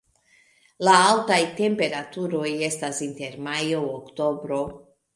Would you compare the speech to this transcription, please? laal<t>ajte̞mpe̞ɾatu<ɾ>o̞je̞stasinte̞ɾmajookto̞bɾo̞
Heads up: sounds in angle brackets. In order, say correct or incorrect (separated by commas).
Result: correct, correct